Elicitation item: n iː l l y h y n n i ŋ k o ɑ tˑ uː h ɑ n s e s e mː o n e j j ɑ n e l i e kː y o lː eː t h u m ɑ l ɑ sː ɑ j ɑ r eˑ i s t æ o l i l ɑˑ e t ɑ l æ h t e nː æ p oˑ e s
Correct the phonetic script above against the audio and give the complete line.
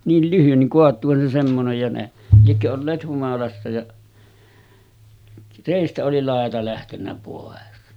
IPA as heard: n iː l l y h y n n i ŋ k o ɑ tˑ uː h ɑ n s e s e mː o n e j j ɑ n e l i e kː ø o lː eː t h u m ɑ l ɑ sː ɑ j ɑ r eˑ i s t æ o l i l ɑˑ e t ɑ l æ h t e nː æ p oˑ e s

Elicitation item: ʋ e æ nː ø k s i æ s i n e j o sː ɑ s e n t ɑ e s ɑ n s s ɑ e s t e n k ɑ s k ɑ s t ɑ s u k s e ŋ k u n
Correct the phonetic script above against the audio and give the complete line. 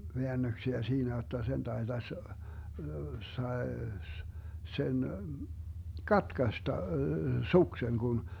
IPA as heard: ʋ e æ nː ø k s i æ s iː n æ j o tː ɑ s e n t ɑ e t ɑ s s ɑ e s s e n k ɑ t k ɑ s t ɑ s u k s e ŋ k u n

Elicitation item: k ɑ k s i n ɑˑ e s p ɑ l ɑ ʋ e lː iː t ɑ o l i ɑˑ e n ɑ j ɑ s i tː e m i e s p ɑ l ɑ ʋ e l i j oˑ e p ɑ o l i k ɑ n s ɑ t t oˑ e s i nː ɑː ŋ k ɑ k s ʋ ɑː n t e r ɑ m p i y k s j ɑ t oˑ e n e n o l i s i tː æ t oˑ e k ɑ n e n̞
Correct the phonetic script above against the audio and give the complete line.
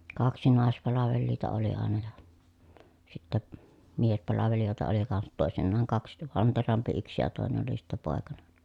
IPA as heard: k ɑ k s i n ɑˑ e s p ɑ l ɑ ʋ e lː iː t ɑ o l i ɑˑ e n ɑ j ɑ s i tː æ m i e s p ɑ l ɑ ʋ e l i j oˑ e t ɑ o l i k ɑ n s ɑ t t oˑ e s i nː ɑː ŋ k ɑ k s ʋ ɑ n t e r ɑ m p i y k s j ɑ t oˑ e n e n o l i s i tː æ p oˑ e k ɑ n e n̞

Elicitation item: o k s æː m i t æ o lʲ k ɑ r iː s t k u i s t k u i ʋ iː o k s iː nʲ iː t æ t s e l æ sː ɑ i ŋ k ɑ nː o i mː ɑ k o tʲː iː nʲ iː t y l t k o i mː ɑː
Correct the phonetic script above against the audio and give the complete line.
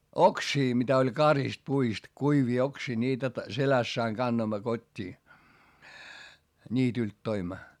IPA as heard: o k s iː m i t æ o lʲ k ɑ r i s t p u i s t k u i ʋ iː o k s iː nʲ iː t æ t s e l æ sː ɑ i ŋ k ɑ nː o i mː ɑ k o tʲː iː nʲ iː t y l t t o i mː ɑ

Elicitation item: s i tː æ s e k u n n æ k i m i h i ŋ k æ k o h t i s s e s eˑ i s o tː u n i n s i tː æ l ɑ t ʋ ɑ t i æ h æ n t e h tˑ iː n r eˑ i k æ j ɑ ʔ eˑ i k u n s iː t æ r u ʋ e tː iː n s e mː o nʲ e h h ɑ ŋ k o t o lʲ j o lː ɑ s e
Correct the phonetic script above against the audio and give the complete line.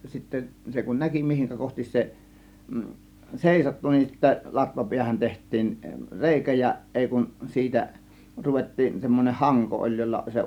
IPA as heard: s i tː æ s e k u n n æ k i m i h i ŋ k æ k o h t i s s e s eˑ i s o tː u n i n s i tː æ l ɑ t ʋ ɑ p i æ h æ n t e h tˑ iː n r eˑ i k æ j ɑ ʔ eˑ i k u n s iː t æ r u ʋ e tː iː n s e mː o nʲ e h h ɑ ŋ k o ʔ o lʲ j o lː ɑ s e

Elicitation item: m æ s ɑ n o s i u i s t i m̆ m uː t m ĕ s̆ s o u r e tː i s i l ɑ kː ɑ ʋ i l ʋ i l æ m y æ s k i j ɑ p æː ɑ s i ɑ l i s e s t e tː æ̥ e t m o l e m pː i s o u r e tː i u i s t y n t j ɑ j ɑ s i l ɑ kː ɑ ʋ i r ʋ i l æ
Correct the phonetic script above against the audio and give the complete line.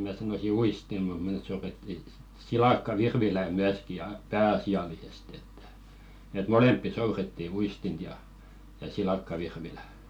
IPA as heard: m æ s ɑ n o s i u i s t i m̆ m u t m ĕ s̆ s o u r e tː i s i l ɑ kː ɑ ʋ i r ʋ i l æ m y æ s k i j ɑ p æː ɑ s i ɑ l i s e s t e tː æ̥ e t m o l e m pː i s o u r e tː i u i s t i n t j ɑ j ɑ s i l ɑ kː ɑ ʋ i r ʋ i l æ

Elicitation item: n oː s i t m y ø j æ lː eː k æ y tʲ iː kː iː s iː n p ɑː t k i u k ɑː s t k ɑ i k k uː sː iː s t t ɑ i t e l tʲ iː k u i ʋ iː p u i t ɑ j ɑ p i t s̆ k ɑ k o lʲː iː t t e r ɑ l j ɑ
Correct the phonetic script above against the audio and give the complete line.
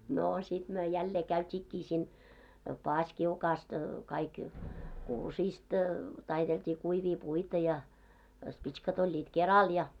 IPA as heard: n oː s i t m y ø j æ lː eː k æ y tʲ iː kː iː s iː n p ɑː s k i u k ɑː s t k ɑ i k k uː s iː s t t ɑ i t e l tʲ iː k u i ʋ iː p u i t ɑ j ɑ p i t s̆ k ɑ t o lʲː iː t k e r ɑ l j ɑ

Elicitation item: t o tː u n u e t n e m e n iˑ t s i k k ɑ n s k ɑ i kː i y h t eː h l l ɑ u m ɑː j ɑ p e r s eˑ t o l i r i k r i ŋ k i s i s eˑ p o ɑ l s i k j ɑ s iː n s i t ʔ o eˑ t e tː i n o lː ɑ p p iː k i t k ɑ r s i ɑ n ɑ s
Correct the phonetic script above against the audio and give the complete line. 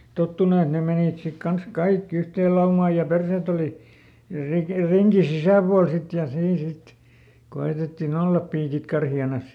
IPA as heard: t o tː u n u e t n e m e n iˑ t s i k k ɑ n s k ɑ i kː i y h t eː l l ɑ u m ɑː j ɑ p e r s eˑ t o l i r i k r i ŋ k i s i s æˑ p u ɑ l s i t j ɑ s iː n s i t k o eˑ t e tː i n o lː ɑ p p iː k i t k ɑ r h i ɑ n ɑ s

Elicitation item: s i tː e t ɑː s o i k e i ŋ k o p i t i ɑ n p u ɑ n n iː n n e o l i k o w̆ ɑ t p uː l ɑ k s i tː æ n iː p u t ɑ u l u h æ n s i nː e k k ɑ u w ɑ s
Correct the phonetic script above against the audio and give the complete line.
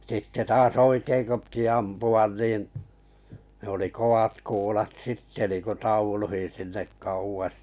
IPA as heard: s i tː e t ɑː s o i k e i ŋ k o p i t i ɑ m p u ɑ n n iː n n e o l i k o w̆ ɑ t k uː l ɑ t s i tː e n iː k u t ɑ u l u h i n s i nː e k k ɑ u w ɑ s

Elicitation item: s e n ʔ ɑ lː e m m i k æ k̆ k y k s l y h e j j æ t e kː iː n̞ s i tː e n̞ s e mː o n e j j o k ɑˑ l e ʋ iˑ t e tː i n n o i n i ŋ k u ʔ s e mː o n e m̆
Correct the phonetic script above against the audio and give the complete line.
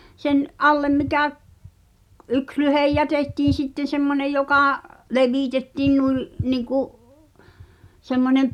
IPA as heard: s e n ʔ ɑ lː e m m i k æ k̆ ʔ y k s l y h e j j æ t e tː iː n̞ s i tː e n̞ s e mː o n e j j o k ɑˑ l e ʋ iˑ t e tː iː n n u i n i ŋ k u ʔ s e mː o n e m̆

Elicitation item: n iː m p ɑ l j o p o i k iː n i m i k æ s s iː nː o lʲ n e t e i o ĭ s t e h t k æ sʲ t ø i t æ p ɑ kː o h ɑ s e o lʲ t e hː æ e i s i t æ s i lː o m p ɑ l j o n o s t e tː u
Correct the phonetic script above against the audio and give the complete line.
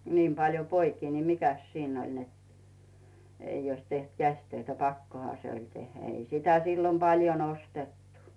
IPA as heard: n iː m p ɑ l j o p o i k iː n i m i k æ s s iː nː o lʲ n e t e i o ĭ s t e h t k æ sʲ t ø i t æ p ɑ kː o h ɑ s e o lʲ t e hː æ e i s i t æ s i lː o m p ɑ l j o n o s t e tː u

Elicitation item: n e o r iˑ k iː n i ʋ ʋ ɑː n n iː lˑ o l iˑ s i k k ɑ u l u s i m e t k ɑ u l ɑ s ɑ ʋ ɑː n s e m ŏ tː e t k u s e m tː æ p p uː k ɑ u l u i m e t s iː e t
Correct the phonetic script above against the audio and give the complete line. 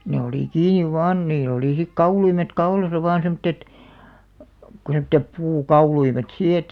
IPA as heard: n e o l iˑ k iː n i ʋ ʋ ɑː n n iː lˑ o l iˑ s i k k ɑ u l u i m e t k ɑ u l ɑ s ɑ ʋ ɑː n s e m ŏ tː e t k u s e m tː e p p uː k ɑ u l u i m e t s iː e t

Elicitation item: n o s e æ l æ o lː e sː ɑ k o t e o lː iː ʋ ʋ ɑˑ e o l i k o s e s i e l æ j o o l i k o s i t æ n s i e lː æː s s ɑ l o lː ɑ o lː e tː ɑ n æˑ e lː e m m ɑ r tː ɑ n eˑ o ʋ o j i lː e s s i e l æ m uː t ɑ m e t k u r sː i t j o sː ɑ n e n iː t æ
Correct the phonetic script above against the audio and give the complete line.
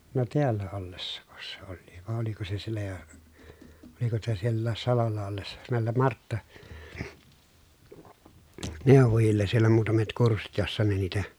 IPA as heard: n o t e æ lː æ o lː e sː ɑ k o s e o lː iː ʋ ʋ ɑˑ e o l i k o s e s i e lː æ j o o l i k o s i t æ s i e lː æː s s ɑ l o lː ɑ o lː e sː ɑ n æˑ e lː e m m ɑ r tː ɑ n eˑ o ʋ o j i lː e s s i e l æ m uː t ɑ m e t k u r sː i t j o sː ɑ n e n iː t æ

